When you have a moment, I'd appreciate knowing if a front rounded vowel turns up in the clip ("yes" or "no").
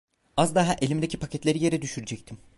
yes